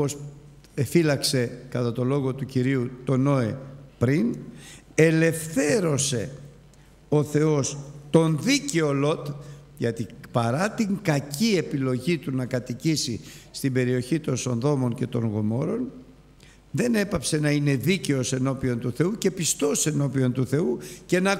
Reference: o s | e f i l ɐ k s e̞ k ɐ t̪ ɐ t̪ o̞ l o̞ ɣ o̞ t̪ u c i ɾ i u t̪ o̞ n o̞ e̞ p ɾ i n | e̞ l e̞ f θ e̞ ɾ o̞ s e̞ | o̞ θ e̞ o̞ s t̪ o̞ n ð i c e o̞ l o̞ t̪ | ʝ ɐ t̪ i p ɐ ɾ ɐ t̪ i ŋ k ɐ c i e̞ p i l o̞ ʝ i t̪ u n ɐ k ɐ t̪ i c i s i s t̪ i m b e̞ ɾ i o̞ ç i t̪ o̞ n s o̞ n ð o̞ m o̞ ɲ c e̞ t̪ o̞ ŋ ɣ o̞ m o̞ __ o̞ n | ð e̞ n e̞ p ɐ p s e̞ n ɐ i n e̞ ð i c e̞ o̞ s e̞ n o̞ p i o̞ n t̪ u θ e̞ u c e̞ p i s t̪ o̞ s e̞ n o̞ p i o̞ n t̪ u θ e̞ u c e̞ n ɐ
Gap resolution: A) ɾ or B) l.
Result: A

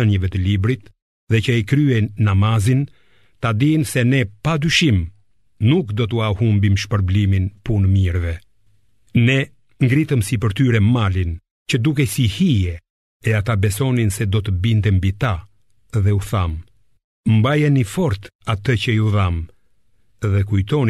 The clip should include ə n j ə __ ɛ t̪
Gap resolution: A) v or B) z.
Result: A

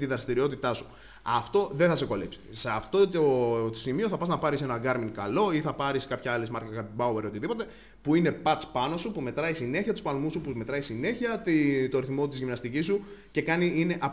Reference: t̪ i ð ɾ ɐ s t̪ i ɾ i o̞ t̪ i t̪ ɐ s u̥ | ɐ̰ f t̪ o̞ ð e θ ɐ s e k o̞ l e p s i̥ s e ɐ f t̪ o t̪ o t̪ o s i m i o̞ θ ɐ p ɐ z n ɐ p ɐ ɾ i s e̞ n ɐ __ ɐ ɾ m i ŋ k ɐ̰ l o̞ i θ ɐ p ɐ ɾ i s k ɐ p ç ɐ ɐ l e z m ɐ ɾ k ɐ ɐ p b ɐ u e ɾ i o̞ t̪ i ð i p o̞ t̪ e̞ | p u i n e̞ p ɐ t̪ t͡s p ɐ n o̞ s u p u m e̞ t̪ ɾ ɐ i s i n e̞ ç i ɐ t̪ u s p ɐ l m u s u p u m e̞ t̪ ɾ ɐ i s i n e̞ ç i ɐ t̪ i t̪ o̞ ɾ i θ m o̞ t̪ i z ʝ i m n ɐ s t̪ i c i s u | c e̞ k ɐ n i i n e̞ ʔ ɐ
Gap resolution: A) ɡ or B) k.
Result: A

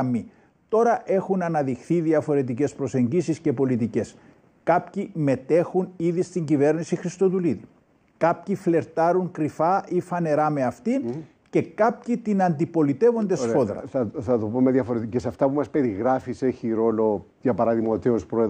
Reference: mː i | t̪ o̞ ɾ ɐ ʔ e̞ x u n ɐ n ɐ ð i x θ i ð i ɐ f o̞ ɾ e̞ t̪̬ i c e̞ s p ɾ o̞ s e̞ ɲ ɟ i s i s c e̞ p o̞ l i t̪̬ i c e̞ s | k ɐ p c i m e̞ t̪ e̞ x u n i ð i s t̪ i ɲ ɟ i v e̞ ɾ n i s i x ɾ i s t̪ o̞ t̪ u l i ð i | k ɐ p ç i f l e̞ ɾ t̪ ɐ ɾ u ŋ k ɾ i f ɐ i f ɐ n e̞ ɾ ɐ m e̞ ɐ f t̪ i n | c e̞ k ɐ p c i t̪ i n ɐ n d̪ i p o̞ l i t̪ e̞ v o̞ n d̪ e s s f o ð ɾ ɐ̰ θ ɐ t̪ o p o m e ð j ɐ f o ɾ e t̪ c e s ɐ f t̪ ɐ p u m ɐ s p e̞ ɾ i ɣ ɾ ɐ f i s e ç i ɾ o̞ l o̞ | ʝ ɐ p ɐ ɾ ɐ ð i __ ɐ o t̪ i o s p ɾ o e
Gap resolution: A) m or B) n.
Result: A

